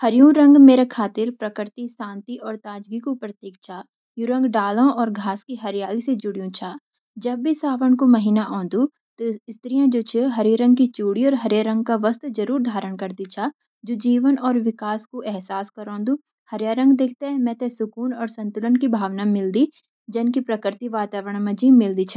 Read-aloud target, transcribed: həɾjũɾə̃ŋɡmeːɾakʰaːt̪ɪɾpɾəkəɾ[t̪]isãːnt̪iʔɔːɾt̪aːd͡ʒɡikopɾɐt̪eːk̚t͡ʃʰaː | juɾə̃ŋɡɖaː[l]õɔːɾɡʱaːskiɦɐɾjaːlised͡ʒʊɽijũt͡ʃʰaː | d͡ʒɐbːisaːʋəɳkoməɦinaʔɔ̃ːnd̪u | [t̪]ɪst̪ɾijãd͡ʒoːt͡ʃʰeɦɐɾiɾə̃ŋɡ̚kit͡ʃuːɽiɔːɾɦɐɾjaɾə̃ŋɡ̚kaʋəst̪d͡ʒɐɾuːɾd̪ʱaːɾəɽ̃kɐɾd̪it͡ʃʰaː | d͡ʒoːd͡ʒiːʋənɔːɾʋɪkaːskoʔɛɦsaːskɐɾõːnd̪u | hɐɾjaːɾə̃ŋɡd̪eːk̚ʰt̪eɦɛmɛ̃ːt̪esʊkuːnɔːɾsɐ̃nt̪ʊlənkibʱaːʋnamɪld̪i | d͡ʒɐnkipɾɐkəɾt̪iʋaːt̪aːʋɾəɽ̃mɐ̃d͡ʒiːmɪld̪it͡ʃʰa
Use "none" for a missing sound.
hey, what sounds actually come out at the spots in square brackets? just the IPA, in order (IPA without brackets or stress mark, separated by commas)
t̪, l, t̪